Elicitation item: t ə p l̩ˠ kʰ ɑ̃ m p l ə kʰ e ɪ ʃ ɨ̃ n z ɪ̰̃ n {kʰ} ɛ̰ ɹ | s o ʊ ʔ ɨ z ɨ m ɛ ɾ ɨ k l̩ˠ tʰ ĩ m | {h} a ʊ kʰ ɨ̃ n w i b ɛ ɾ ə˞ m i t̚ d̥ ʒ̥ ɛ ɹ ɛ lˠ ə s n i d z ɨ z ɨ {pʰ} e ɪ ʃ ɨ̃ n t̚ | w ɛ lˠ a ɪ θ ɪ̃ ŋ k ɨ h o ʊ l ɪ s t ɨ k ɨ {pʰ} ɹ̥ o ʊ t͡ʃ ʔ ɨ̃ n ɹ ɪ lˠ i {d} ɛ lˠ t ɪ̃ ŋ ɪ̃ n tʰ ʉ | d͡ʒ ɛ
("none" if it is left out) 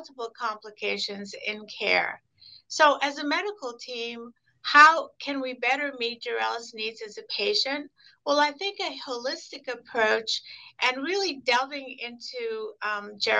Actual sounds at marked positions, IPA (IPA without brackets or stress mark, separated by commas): kʰ, h, pʰ, pʰ, d